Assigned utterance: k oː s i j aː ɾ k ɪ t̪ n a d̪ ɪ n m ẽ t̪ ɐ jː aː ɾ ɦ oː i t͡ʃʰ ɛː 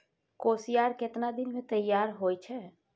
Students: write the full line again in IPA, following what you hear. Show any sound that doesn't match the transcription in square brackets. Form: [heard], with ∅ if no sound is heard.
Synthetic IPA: k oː s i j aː ɾ k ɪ t̪ n a d̪ ɪ n m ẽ t̪ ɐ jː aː ɾ ɦ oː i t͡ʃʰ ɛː